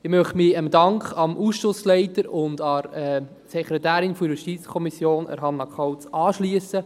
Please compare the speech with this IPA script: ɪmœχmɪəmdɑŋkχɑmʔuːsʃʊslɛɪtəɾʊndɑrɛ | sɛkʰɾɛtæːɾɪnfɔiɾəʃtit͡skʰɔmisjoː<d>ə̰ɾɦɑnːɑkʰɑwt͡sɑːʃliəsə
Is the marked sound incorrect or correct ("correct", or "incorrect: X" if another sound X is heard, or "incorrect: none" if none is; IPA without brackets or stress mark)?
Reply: incorrect: n